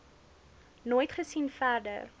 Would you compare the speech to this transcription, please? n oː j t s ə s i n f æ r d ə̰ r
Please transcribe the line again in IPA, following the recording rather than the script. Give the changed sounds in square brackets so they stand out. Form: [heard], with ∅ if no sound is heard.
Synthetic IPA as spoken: n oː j t [χ] ə s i n f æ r d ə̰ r